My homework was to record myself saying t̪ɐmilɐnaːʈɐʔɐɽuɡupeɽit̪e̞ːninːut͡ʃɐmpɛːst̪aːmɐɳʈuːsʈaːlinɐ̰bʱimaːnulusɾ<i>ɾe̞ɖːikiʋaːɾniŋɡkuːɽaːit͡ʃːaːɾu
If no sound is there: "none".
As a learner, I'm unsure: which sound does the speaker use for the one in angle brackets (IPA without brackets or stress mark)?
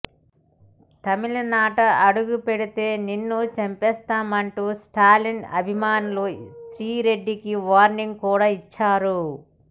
iː